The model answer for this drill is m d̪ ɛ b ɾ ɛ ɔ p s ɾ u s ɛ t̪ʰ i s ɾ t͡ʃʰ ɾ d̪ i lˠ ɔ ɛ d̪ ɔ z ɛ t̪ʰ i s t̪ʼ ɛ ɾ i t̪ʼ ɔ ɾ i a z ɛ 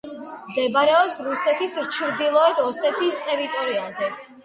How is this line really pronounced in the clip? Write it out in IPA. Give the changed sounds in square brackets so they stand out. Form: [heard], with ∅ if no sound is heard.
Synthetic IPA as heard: m d̪ ɛ b ɾ ɛ ɔ p s ɾ u s ɛ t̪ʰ i s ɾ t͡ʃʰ ɾ d̪ i lˠ ɔ ɛ d̪ ɔ [s] ɛ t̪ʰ i s t̪ʼ ɛ ɾ i t̪ʼ ɔ ɾ i a z ɛ